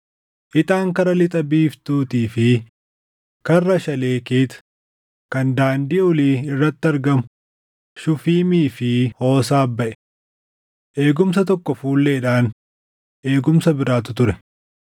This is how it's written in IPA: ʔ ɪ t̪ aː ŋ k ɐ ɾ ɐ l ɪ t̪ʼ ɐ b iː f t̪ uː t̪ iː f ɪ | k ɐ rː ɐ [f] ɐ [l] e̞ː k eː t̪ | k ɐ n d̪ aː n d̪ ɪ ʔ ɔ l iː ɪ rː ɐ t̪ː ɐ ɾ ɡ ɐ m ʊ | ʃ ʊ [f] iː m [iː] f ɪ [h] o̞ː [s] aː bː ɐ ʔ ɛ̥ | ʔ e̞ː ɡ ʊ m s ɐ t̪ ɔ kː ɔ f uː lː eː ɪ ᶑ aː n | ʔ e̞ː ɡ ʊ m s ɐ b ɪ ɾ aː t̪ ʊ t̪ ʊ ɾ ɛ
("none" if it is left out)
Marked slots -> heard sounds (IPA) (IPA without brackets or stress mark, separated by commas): ʃ, l, f, iː, h, s